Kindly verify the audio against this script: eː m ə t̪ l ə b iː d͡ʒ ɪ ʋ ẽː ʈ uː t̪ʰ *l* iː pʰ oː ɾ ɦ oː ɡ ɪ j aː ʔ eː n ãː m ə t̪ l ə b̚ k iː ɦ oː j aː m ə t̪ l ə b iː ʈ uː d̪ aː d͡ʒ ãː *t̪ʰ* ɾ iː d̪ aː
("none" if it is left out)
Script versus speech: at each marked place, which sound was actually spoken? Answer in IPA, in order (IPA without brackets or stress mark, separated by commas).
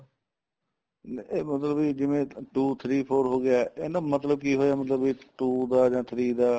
ɾ, t̪ʰ